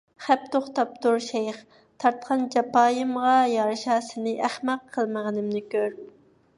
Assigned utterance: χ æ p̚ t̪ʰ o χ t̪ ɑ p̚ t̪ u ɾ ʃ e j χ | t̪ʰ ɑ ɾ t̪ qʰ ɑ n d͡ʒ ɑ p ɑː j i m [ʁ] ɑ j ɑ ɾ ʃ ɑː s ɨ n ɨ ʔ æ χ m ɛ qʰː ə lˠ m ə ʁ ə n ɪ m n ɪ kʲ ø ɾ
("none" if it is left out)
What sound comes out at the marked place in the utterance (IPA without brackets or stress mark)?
ʁ